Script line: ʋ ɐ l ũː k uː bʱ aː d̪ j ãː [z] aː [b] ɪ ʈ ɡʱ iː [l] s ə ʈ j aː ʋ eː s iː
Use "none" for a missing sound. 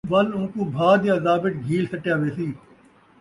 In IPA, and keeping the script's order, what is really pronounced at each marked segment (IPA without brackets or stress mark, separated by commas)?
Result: z, b, l